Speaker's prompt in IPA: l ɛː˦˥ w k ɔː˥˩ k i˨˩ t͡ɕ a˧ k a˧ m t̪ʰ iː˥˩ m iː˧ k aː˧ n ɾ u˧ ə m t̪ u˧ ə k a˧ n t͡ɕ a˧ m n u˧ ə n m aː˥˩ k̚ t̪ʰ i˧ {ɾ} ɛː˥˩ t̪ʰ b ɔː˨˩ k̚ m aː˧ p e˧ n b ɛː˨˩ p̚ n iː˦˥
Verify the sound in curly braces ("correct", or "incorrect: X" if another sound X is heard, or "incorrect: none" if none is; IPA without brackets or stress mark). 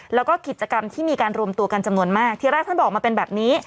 correct